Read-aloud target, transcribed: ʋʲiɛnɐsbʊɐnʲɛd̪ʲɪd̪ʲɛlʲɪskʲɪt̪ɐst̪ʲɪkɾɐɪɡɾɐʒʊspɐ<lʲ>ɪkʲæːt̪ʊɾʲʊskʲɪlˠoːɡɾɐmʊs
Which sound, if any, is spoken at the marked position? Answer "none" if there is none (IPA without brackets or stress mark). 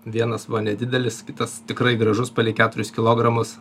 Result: lʲ